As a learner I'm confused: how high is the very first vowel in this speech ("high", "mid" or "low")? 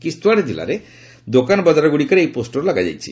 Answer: high